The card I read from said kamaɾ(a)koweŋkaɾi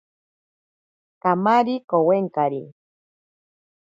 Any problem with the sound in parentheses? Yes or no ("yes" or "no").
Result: yes